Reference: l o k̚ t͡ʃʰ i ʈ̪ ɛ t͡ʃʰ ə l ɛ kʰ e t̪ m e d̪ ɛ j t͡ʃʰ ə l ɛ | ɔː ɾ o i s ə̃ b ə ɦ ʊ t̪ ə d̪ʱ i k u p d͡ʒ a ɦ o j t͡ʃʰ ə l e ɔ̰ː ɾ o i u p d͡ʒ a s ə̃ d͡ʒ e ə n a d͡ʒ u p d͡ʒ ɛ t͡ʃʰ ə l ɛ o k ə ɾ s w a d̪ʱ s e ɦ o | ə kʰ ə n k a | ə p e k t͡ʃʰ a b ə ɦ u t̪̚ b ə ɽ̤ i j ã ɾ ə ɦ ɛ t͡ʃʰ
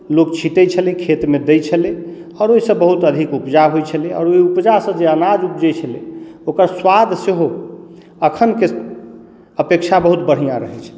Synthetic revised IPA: l o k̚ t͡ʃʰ i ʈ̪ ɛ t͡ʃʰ ə l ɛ kʰ e t̪ m e d̪ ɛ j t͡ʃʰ ə l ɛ | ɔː ɾ o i s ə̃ b ə ɦ u t̪ ə d̪ʱ i k u p d͡ʒ a ɦ o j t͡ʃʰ ə l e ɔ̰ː ɾ o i u p d͡ʒ a s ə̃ d͡ʒ e ə n a d͡ʒ u p d͡ʒ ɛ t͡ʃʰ ə l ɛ o k ə ɾ s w a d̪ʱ s e ɦ o | ə kʰ ə n k e | ə p e k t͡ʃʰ a b ə ɦ u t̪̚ b ə ɽ̤ i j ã ɾ ə ɦ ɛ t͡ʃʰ